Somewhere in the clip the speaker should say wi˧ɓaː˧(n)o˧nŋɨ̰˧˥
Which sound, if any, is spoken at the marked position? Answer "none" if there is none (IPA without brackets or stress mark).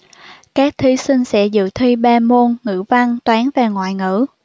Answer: m